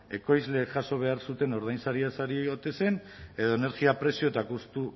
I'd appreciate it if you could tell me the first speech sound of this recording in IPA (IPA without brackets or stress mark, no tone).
e̞